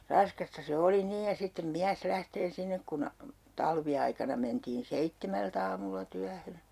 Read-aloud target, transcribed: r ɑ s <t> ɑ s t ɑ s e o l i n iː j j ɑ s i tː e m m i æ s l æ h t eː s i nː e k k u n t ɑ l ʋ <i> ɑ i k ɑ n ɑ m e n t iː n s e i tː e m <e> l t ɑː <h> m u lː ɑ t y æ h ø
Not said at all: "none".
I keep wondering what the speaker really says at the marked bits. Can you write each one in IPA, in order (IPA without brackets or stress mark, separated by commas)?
k, i, æ, none